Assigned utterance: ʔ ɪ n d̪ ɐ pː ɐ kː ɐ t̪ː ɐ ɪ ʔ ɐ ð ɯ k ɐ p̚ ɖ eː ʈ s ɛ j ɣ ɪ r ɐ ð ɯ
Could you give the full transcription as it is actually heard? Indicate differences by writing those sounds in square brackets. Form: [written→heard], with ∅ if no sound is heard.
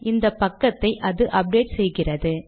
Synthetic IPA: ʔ ɪ n d̪ ɐ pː ɐ kː ɐ t̪ː ɐ ɪ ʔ ɐ ð ɯ [k→ʔ] ɐ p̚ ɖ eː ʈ s ɛ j ɣ ɪ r ɐ ð ɯ